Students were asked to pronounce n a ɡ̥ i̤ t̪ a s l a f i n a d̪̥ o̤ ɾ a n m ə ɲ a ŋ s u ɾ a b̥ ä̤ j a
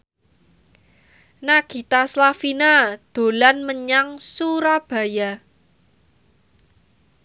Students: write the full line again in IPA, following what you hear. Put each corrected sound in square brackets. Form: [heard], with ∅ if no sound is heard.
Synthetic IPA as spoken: n a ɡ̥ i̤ t̪ a s l a f i n a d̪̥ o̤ [l] a n m ə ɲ a ŋ s u ɾ a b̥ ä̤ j a